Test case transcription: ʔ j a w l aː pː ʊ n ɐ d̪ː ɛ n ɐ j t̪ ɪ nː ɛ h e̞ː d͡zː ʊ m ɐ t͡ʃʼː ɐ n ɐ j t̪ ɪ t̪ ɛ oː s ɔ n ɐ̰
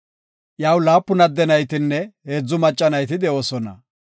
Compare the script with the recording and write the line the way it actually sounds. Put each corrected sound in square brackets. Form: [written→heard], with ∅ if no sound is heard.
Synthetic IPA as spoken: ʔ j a w l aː pː ʊ n ɐ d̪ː ɛ n ɐ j t̪ ɪ nː ɛ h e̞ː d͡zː ʊ m ɐ t͡ʃʼː ɐ n ɐ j t̪ ɪ [t̪→d̪] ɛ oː s ɔ n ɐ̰